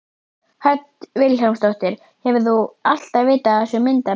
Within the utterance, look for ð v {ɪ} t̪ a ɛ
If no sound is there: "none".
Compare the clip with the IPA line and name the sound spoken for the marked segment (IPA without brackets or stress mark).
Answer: ɪː